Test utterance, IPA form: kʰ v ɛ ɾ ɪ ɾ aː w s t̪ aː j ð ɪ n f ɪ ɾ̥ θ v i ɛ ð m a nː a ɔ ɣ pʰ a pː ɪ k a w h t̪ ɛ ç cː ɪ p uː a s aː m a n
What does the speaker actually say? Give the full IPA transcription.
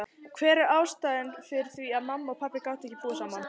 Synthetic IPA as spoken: kʰ v ɛː ɾ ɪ ɾ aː w s t̪ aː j ð ɪ n f ɪ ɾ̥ θ v i a ð m a mː a ɔ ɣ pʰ a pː ɪ k a w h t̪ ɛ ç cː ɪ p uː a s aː m a n